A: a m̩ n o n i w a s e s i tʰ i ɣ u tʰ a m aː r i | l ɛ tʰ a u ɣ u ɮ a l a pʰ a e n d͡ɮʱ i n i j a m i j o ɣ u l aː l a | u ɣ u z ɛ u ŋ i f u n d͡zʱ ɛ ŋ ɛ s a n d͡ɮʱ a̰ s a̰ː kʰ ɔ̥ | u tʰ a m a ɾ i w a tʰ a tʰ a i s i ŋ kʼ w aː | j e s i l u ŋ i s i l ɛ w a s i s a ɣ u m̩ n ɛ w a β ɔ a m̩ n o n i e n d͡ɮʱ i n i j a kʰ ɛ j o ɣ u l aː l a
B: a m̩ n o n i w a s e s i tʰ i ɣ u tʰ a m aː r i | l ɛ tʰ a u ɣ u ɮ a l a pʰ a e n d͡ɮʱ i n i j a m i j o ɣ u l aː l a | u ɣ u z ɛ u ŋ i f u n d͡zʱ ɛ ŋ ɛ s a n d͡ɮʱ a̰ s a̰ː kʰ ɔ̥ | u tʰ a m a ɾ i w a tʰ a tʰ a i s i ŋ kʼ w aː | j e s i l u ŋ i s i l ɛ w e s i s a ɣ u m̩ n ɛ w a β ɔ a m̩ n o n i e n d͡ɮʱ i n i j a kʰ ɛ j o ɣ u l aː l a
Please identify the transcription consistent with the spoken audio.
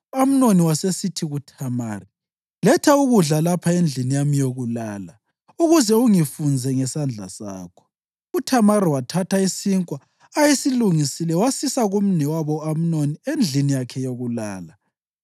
A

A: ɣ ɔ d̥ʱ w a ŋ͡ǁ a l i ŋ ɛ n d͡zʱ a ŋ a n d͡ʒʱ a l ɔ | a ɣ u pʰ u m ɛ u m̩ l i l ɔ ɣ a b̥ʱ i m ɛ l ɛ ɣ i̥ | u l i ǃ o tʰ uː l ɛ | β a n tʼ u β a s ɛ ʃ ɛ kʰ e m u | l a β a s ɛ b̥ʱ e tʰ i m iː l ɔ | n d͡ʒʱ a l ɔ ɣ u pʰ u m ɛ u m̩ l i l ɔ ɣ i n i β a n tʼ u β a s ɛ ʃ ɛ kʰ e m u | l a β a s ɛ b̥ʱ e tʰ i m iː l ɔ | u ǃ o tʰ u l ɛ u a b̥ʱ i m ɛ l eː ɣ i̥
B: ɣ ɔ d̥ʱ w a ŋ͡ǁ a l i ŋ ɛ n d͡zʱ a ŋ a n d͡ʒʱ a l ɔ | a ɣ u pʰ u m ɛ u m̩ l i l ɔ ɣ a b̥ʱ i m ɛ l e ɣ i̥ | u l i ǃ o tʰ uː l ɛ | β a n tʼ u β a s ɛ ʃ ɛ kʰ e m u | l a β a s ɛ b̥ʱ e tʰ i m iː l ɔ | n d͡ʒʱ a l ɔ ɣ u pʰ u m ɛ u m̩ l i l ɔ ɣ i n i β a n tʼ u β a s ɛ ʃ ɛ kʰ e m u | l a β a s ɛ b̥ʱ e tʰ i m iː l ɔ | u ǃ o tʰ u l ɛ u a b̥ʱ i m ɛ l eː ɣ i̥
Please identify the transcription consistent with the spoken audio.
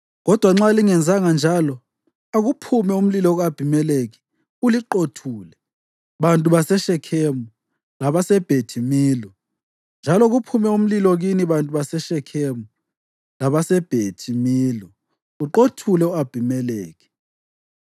B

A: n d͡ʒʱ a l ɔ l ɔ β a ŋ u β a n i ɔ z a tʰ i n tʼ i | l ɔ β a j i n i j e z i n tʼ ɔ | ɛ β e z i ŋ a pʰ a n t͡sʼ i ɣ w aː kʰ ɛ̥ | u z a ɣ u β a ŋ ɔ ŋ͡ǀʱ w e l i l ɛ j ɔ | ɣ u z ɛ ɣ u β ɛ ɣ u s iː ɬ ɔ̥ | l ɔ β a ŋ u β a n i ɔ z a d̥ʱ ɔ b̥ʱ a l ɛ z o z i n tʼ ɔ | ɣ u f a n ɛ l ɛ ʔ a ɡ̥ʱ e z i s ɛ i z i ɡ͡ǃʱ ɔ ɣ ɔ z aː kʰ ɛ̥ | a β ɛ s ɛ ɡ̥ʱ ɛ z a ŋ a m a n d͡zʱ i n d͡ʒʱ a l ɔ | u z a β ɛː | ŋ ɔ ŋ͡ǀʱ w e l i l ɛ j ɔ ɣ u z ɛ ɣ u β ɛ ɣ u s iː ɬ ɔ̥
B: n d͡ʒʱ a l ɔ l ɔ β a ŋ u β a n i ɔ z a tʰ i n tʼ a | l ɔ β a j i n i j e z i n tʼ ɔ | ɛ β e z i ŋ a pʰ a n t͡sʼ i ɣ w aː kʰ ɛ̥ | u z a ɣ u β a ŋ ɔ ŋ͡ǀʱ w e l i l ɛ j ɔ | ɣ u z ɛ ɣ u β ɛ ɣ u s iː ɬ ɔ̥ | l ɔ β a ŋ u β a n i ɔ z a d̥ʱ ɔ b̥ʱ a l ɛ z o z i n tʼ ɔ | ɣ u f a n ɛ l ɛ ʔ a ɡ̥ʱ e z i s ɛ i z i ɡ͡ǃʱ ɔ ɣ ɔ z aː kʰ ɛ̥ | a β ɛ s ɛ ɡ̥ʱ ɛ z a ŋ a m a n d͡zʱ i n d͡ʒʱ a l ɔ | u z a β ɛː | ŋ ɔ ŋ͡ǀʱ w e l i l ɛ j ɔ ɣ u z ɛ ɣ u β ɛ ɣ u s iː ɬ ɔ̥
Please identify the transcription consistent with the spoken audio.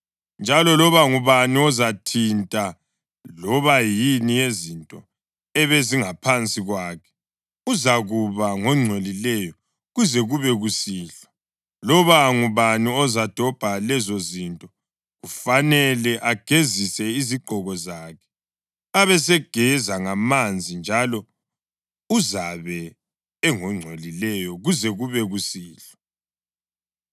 B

